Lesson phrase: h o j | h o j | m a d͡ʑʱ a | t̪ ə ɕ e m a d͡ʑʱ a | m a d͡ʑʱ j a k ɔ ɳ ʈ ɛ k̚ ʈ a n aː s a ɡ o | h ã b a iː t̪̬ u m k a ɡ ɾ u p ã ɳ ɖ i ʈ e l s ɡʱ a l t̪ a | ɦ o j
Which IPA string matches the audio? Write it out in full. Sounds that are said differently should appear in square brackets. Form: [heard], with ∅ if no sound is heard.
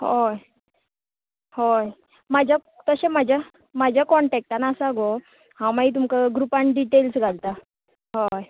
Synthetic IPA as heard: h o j | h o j | m a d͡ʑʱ a | t̪ ə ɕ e m a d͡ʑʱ a | m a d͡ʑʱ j a k ɔ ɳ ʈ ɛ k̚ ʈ a n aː s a ɡ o | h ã [m] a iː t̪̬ u m k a ɡ ɾ u p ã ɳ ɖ i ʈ e l s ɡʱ a l t̪ a | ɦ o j